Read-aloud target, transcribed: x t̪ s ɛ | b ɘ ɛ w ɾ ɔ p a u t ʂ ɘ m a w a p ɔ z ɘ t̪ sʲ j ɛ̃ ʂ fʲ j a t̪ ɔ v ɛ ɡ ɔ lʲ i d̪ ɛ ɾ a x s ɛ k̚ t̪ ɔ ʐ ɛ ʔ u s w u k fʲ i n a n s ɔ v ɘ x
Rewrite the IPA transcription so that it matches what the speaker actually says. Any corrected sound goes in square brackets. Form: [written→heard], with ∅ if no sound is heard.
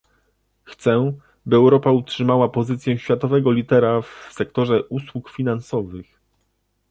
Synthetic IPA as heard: x t̪ s ɛ | b ɘ ɛ w ɾ ɔ p a u t ʂ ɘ m a w a p ɔ z ɘ t̪ sʲ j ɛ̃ [ʂ→ɕ] fʲ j a t̪ ɔ v ɛ ɡ ɔ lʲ i [d̪→t̪] ɛ ɾ a [x→f] s ɛ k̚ t̪ ɔ ʐ ɛ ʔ u s w u k fʲ i n a n s ɔ v ɘ x